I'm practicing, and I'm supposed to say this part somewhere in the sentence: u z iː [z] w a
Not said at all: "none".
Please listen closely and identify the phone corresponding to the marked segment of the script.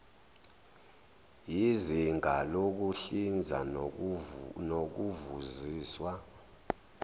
s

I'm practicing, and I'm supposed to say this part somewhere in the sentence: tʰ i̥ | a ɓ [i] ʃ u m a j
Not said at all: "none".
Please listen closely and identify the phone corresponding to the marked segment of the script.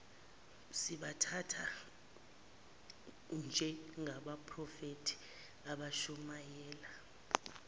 a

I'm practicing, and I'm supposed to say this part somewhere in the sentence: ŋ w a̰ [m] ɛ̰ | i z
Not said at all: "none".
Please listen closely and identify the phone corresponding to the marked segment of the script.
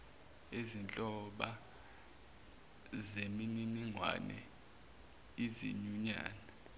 n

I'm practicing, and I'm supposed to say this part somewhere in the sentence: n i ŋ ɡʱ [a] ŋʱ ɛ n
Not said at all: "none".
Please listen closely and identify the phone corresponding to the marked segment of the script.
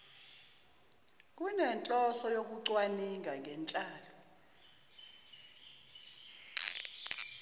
a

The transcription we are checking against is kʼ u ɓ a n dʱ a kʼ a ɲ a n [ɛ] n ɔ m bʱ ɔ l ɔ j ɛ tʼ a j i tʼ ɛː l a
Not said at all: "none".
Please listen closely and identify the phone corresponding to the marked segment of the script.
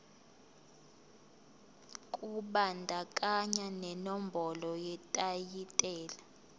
ɛ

